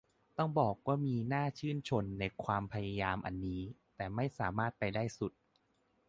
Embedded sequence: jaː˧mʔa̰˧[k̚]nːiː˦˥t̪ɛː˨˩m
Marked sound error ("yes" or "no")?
yes